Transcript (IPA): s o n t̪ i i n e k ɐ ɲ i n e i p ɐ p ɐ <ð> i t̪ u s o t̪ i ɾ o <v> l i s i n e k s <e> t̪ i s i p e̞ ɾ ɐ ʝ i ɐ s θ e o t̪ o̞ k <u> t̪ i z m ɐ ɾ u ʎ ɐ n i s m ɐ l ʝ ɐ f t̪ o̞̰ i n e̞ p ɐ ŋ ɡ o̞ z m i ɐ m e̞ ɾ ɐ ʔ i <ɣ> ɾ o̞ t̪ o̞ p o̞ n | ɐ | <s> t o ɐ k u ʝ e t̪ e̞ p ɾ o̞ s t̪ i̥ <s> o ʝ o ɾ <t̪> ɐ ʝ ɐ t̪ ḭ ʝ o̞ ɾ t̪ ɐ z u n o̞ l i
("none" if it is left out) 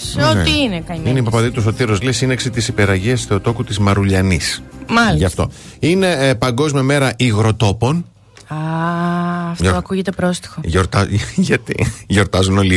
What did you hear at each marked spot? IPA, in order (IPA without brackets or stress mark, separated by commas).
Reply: ð, z, i, u, ɣ, f, x, t̪